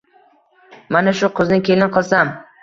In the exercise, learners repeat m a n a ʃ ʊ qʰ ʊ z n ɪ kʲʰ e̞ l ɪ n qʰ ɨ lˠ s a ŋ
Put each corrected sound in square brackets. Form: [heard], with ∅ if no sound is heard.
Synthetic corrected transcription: m a n a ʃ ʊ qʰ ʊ z n ɪ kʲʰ e̞ l ɪ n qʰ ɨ lˠ s a [m]